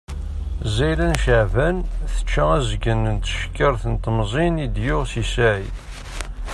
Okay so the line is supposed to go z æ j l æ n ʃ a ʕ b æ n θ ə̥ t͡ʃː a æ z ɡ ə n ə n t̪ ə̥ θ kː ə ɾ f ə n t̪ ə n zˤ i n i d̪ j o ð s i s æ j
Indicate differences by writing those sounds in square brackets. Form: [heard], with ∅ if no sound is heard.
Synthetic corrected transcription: z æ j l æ n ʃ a ʕ [v] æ n θ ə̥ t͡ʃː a æ z ɡ ə n ə n t̪ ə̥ [ʃ] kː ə ɾ [θ] ə n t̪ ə [m] zˤ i n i d̪ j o [ʁ] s i s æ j